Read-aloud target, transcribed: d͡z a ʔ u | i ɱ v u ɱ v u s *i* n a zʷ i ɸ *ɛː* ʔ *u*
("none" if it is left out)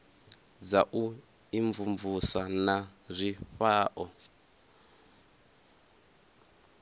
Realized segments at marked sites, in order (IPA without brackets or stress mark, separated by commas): a, aː, ɔ